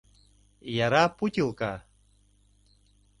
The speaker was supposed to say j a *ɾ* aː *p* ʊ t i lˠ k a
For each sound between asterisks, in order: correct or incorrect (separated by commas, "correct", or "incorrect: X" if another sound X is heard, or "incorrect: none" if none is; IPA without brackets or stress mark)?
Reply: correct, correct